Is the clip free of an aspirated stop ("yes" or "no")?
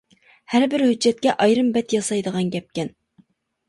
yes